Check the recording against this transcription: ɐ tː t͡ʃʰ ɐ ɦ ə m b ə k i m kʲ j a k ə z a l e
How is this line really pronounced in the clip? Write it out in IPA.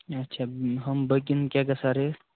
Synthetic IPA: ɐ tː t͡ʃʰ a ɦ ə m b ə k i n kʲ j a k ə s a ɾ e